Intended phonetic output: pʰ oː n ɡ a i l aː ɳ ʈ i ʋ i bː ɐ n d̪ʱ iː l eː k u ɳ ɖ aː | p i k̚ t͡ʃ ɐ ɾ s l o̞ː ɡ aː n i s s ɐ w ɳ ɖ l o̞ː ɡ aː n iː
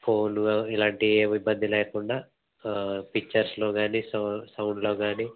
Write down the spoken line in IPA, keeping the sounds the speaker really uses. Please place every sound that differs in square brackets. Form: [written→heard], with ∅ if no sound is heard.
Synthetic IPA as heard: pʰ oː n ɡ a i l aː ɳ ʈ i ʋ i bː ɐ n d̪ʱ [iː→i] l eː k u ɳ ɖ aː | p i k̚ t͡ʃ ɐ ɾ s l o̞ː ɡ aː n i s s ɐ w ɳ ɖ l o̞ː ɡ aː n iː